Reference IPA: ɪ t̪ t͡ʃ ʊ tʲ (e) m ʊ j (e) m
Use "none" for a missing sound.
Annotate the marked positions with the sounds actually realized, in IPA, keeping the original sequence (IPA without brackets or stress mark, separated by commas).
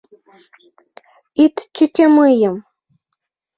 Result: a, a